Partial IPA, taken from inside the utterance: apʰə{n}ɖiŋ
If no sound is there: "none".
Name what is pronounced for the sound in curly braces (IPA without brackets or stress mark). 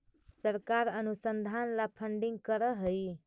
ɳ